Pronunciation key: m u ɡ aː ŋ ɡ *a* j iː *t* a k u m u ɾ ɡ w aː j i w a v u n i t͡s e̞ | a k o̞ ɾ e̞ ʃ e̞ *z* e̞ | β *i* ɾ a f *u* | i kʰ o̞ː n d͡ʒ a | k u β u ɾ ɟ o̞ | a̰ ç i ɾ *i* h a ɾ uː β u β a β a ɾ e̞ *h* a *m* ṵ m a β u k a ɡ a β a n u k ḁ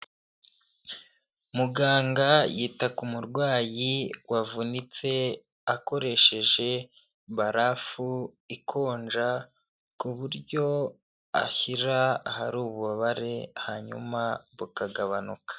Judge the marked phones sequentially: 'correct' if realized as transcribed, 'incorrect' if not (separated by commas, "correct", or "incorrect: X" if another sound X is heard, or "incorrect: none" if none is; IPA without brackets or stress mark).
correct, correct, incorrect: ʒ, incorrect: a, correct, incorrect: a, correct, incorrect: ɲ